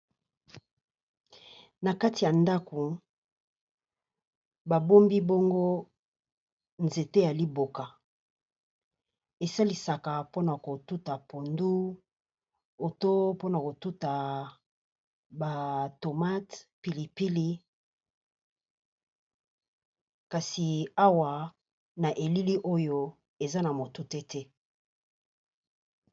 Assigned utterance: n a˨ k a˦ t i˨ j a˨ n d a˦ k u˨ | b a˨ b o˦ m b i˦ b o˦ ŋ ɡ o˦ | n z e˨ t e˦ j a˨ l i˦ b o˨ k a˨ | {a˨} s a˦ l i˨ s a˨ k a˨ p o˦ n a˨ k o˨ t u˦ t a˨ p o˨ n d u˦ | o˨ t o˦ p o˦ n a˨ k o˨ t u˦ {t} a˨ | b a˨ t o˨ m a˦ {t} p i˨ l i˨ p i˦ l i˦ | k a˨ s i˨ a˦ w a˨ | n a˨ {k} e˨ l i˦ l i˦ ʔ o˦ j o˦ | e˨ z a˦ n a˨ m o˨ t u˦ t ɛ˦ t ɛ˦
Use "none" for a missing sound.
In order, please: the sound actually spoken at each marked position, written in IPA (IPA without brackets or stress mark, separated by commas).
e˨, t, t, ʔ